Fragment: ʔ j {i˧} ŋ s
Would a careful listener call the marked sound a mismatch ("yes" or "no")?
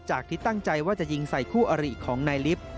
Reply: no